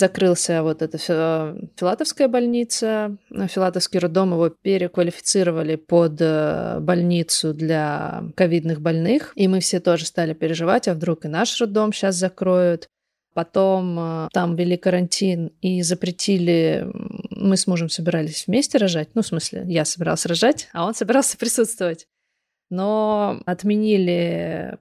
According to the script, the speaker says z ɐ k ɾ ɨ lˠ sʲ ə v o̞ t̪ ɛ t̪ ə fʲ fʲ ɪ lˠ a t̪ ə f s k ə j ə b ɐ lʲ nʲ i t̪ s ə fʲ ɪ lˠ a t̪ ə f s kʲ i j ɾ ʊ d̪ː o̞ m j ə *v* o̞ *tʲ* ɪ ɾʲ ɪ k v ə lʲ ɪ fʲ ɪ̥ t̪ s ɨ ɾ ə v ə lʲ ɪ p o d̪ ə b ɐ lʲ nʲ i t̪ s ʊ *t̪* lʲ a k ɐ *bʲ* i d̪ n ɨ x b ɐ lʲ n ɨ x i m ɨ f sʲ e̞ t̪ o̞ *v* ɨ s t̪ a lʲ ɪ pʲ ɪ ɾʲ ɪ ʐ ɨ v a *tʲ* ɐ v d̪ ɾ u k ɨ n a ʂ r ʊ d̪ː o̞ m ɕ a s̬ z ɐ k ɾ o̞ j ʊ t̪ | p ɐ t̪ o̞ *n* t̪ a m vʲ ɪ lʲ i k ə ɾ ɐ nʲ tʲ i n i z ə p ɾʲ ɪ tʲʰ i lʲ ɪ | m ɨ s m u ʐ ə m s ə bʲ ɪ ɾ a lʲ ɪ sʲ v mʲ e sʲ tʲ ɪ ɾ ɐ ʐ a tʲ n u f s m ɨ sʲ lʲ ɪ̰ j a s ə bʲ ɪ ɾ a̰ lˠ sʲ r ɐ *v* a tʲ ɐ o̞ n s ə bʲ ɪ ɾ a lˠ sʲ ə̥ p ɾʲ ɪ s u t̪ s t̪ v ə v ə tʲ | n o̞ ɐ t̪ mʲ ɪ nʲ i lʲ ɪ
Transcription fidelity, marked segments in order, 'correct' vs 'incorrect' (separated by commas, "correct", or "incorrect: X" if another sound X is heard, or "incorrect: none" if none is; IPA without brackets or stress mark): correct, incorrect: pʲ, incorrect: d̪, incorrect: vʲ, incorrect: ʐ, correct, incorrect: m, incorrect: ʐ